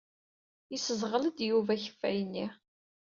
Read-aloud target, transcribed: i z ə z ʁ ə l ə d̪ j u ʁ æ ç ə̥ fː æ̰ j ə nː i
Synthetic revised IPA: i s ə z ʁ ə l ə d̪ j u v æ ç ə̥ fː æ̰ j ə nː i